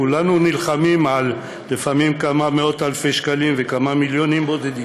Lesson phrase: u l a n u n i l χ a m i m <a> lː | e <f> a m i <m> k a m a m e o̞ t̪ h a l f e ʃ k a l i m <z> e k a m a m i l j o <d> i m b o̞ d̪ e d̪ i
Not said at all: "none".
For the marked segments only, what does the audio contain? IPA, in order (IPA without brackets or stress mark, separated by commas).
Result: a, f, m, v, n